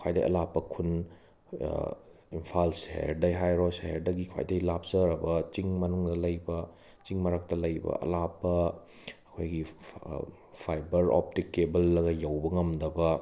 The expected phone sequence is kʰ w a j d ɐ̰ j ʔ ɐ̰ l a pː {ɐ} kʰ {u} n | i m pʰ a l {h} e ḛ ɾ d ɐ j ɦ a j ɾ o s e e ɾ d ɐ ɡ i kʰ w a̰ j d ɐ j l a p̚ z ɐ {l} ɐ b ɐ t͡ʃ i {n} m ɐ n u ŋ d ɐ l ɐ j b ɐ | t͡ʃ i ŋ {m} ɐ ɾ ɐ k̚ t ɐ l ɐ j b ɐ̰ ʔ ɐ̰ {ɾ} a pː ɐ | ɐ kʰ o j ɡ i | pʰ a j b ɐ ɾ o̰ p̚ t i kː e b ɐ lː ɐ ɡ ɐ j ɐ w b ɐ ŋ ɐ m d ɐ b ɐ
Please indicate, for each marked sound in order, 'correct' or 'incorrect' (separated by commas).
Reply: correct, correct, incorrect, incorrect, incorrect, correct, incorrect